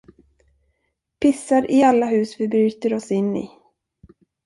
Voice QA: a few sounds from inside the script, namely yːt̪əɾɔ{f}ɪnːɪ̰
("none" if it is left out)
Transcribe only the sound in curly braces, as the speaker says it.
s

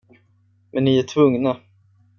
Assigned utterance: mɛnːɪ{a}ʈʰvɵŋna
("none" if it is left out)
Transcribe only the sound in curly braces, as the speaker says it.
æ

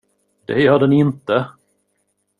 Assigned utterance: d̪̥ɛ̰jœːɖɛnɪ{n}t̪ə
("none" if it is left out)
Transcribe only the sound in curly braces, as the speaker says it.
n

